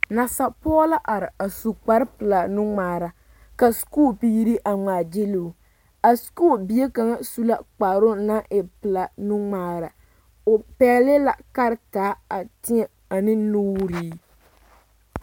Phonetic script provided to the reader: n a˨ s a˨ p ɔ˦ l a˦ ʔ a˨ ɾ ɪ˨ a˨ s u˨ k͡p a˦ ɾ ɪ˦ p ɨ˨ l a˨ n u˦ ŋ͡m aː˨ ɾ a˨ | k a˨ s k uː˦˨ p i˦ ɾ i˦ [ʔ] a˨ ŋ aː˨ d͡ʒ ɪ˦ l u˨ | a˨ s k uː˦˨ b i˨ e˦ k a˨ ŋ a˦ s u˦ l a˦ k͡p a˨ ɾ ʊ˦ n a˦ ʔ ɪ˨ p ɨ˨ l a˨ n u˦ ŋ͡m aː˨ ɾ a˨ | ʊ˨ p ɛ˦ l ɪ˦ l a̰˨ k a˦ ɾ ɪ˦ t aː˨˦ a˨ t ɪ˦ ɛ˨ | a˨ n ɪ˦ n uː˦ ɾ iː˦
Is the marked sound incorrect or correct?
correct